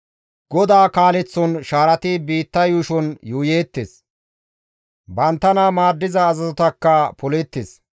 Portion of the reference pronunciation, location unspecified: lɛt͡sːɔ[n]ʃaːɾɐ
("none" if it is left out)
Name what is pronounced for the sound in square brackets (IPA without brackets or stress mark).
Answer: n